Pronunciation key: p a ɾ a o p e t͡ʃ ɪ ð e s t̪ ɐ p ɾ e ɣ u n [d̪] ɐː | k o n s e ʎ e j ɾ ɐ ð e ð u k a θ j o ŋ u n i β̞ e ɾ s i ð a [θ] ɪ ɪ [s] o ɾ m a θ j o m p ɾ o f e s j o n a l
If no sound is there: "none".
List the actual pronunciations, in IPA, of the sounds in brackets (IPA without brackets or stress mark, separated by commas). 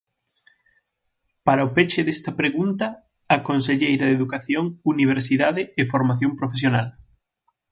t̪, ð, f